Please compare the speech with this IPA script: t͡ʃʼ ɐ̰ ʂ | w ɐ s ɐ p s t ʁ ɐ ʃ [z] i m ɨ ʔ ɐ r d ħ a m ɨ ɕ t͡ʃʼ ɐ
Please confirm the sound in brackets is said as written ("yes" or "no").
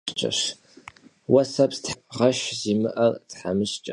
yes